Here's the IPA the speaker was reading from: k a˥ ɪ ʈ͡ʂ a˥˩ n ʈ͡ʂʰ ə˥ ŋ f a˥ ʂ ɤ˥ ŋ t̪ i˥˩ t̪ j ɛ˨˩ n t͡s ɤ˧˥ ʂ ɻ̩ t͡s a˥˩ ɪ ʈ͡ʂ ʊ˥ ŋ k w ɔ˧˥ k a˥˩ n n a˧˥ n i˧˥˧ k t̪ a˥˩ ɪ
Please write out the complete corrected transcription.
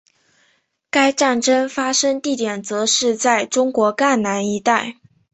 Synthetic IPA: k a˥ ɪ ʈ͡ʂ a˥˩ n ʈ͡ʂ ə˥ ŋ f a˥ ʂ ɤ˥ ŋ t̪ i˥˩ t̪ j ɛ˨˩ n t͡s ɤ˧˥ ʂ ɻ̩ t͡s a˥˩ ɪ ʈ͡ʂ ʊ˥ ŋ k w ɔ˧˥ k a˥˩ n n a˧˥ n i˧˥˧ t̪ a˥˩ ɪ